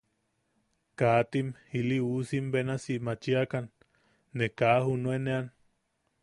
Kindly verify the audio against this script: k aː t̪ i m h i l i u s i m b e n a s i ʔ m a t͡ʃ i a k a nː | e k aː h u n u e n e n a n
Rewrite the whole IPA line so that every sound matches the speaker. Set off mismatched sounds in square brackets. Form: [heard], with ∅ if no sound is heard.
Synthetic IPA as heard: k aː t̪ i m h i l i u s i m b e n a s i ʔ m a t͡ʃ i a k a nː | e k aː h u n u e n e [∅] a n